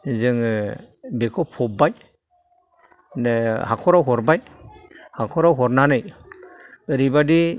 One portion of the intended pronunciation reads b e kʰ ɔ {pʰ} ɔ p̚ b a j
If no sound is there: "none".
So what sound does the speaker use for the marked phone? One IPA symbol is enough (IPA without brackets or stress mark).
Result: pʰ